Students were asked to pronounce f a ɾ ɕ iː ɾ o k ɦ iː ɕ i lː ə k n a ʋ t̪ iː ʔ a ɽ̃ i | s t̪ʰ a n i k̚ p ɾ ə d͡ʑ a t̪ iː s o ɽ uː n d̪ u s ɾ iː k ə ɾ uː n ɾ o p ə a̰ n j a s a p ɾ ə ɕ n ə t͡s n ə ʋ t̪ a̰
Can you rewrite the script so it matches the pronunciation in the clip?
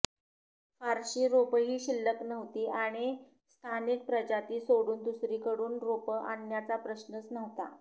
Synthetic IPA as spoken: f a ɾ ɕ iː ɾ o p ɦ iː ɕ i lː ə k n ə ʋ t̪ iː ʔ a ɽ̃ i | s t̪ʰ a n i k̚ p ɾ ə d͡ʑ a t̪ iː s o ɽ uː n d̪ u s ɾ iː k ə ɽ uː n ɾ o p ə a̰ n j a t͡s a p ɾ ə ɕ n ə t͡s n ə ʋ t̪ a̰